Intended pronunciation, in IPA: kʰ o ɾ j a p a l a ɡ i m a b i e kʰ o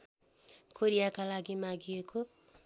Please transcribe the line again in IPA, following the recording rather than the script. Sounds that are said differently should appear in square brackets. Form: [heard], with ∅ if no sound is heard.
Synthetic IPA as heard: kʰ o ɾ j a [k] a l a ɡ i m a [ɡ] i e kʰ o